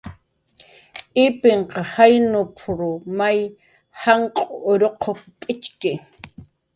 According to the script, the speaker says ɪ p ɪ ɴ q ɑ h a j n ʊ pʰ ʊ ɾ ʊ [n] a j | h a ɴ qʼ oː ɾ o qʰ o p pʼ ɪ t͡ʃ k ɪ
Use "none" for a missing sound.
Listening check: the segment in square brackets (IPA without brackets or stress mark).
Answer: m